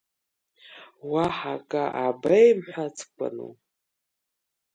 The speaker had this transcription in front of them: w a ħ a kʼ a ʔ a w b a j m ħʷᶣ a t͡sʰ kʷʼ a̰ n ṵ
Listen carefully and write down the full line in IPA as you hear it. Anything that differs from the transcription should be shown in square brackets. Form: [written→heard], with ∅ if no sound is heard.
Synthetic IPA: w a ħ a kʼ a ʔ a [w→∅] b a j m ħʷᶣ a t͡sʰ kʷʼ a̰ n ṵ